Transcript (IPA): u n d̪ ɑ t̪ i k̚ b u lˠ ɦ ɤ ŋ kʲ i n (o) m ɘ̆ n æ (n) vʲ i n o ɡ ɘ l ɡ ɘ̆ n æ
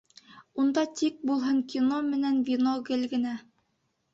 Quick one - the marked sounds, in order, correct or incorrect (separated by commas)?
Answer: correct, correct